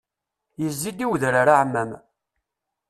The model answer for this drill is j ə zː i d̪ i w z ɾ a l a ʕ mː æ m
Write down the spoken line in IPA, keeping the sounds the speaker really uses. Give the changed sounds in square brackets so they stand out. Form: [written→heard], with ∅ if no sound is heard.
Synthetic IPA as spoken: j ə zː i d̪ i w [z→ð] ɾ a [l→ɾ] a ʕ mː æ m